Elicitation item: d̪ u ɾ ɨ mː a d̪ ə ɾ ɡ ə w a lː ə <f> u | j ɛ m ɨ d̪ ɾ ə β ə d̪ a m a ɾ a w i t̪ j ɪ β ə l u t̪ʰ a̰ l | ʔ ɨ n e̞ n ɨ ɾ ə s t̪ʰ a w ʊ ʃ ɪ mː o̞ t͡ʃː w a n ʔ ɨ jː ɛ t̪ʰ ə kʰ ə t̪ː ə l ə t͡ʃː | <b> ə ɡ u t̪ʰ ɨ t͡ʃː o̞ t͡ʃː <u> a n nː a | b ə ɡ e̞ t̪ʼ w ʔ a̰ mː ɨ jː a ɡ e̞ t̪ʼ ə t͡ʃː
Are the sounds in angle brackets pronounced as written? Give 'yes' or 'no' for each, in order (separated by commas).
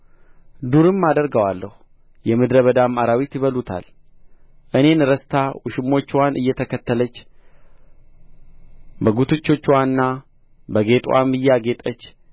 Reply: no, yes, no